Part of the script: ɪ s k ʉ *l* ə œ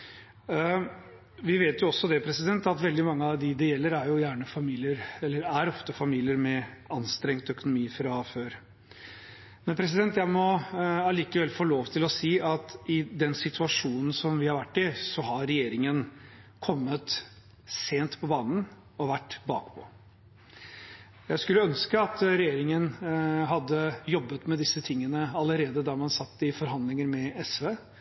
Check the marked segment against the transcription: incorrect: lː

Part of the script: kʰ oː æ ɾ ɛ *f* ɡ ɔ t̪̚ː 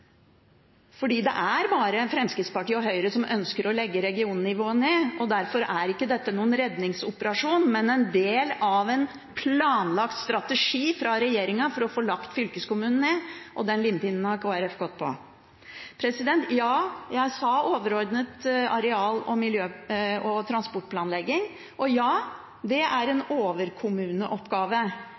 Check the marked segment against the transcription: correct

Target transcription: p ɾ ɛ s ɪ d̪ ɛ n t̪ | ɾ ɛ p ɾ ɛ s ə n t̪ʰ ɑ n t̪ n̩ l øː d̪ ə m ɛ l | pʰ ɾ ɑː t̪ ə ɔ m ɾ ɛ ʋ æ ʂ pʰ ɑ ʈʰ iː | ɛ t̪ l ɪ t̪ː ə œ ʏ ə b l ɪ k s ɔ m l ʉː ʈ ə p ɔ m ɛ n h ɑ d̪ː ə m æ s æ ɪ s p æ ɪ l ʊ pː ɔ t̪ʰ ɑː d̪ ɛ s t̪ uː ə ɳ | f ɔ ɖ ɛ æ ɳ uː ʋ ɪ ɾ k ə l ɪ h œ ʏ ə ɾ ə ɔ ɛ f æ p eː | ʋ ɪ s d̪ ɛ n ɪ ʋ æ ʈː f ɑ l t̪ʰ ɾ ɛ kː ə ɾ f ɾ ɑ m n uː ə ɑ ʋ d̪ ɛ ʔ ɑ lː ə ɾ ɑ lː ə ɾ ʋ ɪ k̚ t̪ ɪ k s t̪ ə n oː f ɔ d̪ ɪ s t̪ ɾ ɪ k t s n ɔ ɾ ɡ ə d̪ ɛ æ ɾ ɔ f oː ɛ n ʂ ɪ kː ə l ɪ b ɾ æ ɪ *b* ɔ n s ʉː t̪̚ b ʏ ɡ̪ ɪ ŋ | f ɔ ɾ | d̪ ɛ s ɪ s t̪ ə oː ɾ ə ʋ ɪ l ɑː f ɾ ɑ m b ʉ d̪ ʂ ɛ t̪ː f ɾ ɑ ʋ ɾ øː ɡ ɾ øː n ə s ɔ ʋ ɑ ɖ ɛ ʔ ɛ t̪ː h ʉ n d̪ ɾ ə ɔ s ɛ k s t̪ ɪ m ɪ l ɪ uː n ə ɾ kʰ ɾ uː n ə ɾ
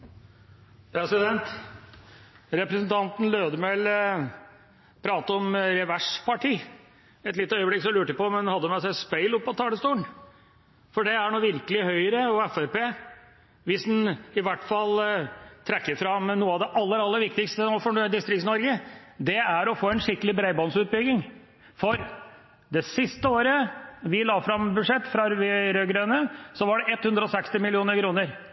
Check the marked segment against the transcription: correct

